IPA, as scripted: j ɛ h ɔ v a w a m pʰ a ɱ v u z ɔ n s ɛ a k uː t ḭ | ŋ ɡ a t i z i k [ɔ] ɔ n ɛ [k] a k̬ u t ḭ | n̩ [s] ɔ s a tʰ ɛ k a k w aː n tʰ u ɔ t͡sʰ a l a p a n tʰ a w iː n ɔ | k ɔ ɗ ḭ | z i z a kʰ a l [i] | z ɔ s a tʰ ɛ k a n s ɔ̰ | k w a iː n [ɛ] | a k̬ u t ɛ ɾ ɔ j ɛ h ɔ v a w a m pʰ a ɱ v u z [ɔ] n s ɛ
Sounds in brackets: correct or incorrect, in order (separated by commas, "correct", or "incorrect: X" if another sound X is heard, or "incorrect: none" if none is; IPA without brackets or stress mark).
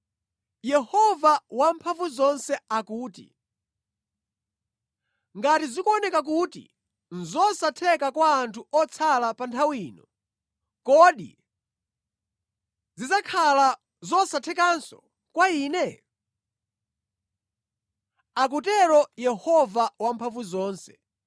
incorrect: u, correct, incorrect: z, incorrect: a, correct, incorrect: ɔː